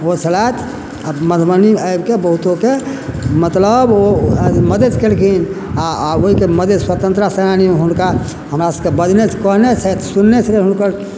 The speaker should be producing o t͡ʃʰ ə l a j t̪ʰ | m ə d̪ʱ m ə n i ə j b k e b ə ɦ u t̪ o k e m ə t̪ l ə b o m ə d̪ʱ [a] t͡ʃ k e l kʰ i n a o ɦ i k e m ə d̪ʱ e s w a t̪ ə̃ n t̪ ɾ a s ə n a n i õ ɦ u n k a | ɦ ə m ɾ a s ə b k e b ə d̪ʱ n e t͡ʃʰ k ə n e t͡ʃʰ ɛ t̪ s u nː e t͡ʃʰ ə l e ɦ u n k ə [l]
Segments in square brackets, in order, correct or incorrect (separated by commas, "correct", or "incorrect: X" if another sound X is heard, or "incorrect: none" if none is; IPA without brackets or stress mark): incorrect: e, incorrect: ɾ